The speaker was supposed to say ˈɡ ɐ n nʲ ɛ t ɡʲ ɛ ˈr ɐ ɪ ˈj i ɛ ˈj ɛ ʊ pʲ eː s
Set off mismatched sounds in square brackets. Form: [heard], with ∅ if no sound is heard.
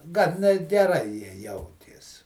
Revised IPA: ˈɡ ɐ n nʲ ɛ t ɡʲ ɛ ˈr ɐ ɪ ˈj i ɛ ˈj ɛ ʊ [tʲ] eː s

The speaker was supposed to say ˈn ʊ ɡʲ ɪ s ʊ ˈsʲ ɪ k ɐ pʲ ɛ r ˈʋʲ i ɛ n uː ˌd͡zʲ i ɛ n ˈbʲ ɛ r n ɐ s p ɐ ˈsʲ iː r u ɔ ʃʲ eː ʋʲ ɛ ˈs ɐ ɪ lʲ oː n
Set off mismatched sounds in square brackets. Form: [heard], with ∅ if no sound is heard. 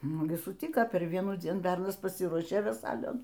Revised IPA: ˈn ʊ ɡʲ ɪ s ʊ [ˈtʲ] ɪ k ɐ pʲ ɛ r ˈʋʲ i ɛ n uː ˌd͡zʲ i ɛ n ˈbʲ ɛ r n ɐ s p ɐ ˈsʲ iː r u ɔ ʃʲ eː ʋʲ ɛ ˈs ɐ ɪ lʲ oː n

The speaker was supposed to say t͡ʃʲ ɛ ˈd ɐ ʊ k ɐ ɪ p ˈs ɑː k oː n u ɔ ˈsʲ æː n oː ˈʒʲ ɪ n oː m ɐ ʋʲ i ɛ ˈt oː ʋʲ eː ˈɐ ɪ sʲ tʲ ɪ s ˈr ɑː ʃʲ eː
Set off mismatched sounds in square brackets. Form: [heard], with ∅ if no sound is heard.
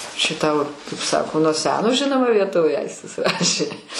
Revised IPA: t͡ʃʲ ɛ [ˈt] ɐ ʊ k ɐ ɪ p ˈs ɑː k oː n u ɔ ˈsʲ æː n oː ˈʒʲ ɪ n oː m ɐ ʋʲ i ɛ ˈt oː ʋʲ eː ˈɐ ɪ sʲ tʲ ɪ s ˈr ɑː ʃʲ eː

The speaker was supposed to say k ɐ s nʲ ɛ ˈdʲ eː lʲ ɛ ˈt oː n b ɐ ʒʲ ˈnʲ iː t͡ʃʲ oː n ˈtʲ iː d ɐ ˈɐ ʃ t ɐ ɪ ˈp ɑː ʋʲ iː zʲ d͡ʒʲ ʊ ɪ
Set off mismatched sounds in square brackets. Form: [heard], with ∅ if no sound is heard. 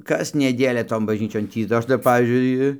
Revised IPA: k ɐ s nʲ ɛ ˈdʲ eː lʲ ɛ ˈt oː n b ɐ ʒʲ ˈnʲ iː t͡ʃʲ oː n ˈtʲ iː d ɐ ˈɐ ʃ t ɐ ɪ ˈp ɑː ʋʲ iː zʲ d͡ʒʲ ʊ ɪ

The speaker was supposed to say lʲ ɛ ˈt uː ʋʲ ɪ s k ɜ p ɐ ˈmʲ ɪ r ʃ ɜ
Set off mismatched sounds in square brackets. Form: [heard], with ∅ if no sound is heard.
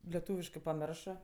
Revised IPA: lʲ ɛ ˈt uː ʋʲ ɪ [ʃ] k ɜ p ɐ ˈmʲ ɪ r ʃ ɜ

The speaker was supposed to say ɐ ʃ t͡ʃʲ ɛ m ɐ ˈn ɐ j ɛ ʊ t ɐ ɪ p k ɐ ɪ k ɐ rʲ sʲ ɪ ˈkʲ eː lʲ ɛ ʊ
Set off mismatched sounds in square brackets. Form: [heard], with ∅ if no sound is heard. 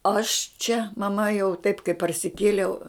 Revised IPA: ɐ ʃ t͡ʃʲ ɛ m ɐ [ˈm] ɐ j ɛ ʊ t ɐ ɪ p k ɐ ɪ [p] ɐ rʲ sʲ ɪ ˈkʲ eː lʲ ɛ ʊ

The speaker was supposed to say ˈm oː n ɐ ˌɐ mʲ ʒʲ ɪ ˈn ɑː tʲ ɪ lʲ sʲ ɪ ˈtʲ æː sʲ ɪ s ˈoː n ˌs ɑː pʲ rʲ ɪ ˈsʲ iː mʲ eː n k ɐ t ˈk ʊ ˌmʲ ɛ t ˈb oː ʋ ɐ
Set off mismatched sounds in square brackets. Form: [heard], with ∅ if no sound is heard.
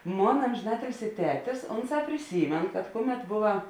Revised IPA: ˈm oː n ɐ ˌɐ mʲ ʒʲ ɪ ˈn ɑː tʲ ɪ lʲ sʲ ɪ ˈtʲ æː [tʲ] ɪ s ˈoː n ˌs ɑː pʲ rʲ ɪ ˈsʲ iː mʲ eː n k ɐ t ˈk ʊ ˌmʲ ɛ t ˈb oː ʋ ɐ

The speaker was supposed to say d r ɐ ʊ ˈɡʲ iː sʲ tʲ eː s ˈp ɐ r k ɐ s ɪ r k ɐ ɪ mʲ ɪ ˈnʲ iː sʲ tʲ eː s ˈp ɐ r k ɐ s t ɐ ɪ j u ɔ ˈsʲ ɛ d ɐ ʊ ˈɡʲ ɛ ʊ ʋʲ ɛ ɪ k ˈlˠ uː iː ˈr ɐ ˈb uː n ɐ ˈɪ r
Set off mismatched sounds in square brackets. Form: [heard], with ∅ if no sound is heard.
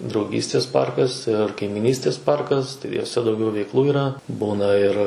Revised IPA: d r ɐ ʊ ˈɡʲ iː sʲ tʲ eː s ˈp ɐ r k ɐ s ɪ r k ɐ ɪ mʲ ɪ ˈnʲ iː sʲ tʲ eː s ˈp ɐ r k ɐ s t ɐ ɪ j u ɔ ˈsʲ ɛ d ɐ ʊ ˈɡʲ ɛ ʊ ʋʲ ɛ ɪ k ˈlˠ uː iː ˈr ɐ ˈb uː n ɐ ˈɪ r

